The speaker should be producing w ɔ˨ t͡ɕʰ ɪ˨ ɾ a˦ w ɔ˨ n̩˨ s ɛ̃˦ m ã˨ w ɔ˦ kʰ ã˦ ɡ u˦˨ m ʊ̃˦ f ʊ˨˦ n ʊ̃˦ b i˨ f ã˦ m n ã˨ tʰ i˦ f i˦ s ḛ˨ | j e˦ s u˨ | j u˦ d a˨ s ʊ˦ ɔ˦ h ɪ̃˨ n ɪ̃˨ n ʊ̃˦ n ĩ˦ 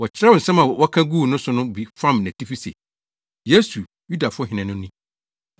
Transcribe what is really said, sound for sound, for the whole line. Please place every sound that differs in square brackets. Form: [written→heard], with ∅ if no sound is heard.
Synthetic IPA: w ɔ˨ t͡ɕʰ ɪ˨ ɾ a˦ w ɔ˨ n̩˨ s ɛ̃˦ m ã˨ w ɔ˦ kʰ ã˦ ɡ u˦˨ [m→n] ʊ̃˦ [f→s] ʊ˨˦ n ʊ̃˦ b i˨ f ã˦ m n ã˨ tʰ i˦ f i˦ s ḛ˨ | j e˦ s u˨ | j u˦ d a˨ [s→f] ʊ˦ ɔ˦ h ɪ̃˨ n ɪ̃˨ n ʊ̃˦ n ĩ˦